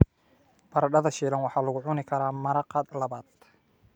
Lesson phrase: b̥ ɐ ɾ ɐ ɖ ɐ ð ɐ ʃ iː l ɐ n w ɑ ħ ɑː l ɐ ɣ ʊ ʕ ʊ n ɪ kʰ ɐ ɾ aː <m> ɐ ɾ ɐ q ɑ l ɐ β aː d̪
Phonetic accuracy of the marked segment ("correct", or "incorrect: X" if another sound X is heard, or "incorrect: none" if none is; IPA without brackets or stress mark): correct